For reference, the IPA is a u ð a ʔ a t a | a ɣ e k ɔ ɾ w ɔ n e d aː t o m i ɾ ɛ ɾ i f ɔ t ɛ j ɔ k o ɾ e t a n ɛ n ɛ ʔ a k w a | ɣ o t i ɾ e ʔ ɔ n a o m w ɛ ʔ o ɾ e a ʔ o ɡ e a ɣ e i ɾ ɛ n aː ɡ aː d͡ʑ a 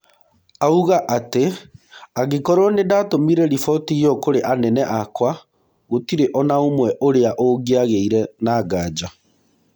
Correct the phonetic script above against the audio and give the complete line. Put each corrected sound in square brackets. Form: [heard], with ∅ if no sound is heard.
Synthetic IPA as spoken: a u [ɣ] a ʔ a t [e] | a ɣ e k ɔ ɾ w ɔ n e d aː t o m i ɾ ɛ ɾ i f ɔ t [i] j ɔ k o ɾ e [ʔ] a n ɛ n ɛ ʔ a k w a | ɣ o t i ɾ e ʔ ɔ n a o m w ɛ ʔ o ɾ e a ʔ o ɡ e a ɣ e i ɾ ɛ n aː ɡ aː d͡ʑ a